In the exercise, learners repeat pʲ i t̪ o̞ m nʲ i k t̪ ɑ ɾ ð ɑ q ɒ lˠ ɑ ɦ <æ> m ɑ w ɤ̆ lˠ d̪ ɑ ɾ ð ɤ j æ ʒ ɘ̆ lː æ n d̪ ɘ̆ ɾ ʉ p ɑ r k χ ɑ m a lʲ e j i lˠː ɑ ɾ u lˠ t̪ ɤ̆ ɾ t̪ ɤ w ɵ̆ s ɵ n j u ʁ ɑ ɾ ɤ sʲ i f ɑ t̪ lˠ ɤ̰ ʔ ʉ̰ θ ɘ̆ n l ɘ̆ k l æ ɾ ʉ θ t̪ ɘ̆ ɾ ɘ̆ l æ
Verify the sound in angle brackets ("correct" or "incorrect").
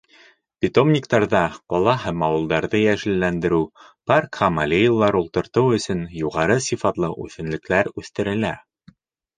correct